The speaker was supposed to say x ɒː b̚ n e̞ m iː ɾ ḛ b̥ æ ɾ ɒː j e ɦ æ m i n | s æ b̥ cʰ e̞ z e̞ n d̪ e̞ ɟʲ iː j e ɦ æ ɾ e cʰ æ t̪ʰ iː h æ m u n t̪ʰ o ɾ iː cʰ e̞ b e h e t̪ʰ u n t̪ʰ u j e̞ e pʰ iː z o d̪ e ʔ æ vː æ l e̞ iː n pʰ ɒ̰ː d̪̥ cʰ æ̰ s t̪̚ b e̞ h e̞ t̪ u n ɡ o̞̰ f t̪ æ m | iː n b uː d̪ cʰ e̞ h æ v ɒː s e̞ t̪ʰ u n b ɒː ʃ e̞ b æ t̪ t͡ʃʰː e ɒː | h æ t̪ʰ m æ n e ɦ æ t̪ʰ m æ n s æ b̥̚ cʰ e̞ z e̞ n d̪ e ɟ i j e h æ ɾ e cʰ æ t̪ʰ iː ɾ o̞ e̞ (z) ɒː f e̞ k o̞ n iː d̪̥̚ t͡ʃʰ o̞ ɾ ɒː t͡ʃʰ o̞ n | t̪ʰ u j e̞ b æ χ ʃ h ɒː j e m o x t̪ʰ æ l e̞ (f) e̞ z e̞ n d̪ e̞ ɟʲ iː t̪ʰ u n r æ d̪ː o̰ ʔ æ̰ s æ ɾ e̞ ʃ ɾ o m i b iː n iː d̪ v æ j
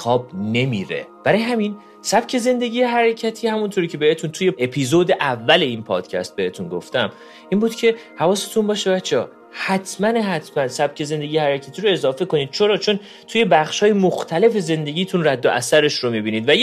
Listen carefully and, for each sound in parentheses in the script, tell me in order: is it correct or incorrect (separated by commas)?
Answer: correct, correct